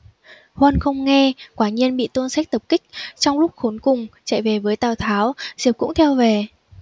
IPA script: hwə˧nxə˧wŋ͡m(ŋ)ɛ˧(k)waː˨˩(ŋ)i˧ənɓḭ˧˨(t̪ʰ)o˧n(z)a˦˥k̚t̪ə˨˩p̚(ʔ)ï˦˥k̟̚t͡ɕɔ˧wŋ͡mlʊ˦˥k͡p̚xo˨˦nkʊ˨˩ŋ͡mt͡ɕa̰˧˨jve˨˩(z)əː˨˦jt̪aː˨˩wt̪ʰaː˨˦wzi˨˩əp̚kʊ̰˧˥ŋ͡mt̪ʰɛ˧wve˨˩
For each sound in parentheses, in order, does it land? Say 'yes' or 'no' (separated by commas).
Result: yes, yes, no, no, no, no, no